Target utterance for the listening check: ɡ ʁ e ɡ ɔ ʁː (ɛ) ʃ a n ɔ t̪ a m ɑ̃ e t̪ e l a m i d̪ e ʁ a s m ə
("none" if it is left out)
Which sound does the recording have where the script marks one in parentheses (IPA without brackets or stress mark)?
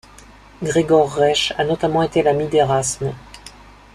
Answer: ɛ